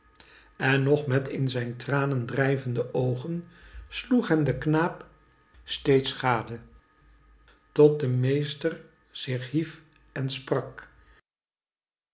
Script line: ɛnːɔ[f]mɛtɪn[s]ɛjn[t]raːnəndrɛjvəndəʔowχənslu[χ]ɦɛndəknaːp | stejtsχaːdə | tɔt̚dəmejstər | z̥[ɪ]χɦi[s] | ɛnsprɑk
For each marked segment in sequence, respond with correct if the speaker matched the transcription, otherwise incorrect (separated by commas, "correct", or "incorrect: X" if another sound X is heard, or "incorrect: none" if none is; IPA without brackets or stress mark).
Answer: incorrect: χ, incorrect: z, correct, correct, correct, incorrect: f